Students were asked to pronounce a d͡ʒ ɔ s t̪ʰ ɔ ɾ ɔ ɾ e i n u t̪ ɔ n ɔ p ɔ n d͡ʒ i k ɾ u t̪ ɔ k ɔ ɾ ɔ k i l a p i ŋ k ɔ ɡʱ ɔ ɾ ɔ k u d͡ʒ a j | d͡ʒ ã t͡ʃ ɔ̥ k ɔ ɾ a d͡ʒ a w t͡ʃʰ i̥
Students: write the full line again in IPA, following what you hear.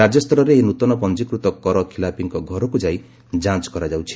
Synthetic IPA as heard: a d͡ʒ ɔ s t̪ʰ ɔ ɾ ɔ ɾ e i n u t̪ ɔ n ɔ p ɔ n d͡ʒ i k ɾ u t̪ ɔ k ɔ ɾ ɔ kʰ i l a p i ŋ k ɔ ɡʱ ɔ ɾ ɔ k u d͡ʒ a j | d͡ʒ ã t͡ʃ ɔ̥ k ɔ ɾ a d͡ʒ a w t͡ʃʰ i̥